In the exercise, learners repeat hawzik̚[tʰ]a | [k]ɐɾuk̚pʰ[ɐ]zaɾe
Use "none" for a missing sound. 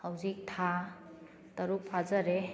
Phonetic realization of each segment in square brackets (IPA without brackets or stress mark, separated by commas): tʰ, t, a